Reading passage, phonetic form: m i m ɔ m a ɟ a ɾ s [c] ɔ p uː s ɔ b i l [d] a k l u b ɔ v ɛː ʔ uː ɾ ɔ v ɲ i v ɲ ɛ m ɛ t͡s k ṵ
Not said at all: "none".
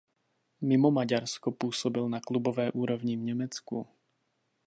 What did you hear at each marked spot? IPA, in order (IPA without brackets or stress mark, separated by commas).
k, n